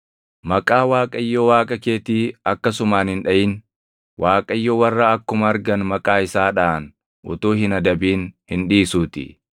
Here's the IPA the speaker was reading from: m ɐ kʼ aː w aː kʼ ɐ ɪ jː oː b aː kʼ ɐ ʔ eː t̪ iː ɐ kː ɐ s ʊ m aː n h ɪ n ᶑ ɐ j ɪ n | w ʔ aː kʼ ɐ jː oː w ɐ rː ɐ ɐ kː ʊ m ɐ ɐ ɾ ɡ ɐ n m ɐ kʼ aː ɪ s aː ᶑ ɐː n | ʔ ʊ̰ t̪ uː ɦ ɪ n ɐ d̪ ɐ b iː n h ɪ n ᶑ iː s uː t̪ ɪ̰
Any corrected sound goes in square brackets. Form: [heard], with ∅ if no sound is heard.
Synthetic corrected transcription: m ɐ kʼ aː w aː kʼ ɐ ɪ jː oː [w] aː kʼ ɐ [k] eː t̪ iː ɐ kː ɐ s ʊ m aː n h ɪ n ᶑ ɐ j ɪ n | w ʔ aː kʼ ɐ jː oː w ɐ rː ɐ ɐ kː ʊ m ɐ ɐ ɾ ɡ ɐ n m ɐ kʼ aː ɪ s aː ᶑ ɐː n | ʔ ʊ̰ t̪ uː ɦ ɪ n ɐ d̪ ɐ b iː n h ɪ n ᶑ iː s uː t̪ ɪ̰